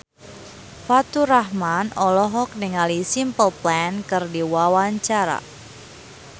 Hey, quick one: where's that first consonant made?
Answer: lips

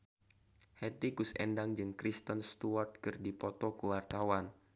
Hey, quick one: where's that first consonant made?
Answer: throat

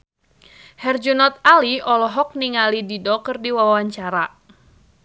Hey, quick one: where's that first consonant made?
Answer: throat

